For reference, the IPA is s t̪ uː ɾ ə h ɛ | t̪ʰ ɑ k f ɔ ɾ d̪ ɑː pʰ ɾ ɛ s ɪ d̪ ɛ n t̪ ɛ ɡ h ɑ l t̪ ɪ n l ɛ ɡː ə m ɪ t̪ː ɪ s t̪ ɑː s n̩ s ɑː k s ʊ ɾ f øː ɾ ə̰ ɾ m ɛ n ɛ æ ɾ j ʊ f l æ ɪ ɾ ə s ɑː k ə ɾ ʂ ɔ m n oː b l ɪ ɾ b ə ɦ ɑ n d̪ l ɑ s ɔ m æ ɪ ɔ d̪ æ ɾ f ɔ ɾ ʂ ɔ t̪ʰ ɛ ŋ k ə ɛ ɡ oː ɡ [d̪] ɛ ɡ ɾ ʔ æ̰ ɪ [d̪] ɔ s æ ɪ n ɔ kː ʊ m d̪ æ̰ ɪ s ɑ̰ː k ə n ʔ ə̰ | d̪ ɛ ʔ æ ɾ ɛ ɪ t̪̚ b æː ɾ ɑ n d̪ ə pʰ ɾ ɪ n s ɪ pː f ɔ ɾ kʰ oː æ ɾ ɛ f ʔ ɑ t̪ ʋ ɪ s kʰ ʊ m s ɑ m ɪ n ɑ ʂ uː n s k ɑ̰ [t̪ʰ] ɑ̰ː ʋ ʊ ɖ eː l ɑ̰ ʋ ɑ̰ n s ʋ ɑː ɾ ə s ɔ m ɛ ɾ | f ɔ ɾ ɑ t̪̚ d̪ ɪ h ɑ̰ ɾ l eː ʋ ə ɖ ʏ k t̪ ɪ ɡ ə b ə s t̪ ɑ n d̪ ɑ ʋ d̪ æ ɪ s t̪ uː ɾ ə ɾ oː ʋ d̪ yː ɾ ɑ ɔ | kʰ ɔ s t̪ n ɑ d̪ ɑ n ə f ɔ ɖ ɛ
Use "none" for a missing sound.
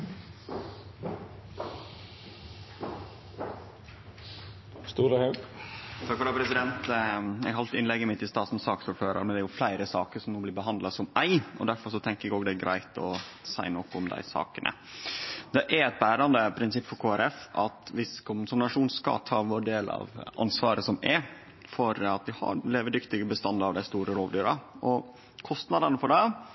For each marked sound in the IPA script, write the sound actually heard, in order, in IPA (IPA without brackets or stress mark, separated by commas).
d̪, t̪, t̪ʰ